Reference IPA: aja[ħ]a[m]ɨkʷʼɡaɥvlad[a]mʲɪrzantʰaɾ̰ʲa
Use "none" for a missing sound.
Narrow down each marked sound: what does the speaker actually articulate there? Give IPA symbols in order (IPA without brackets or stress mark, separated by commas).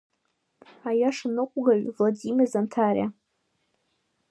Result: ʂ, n, i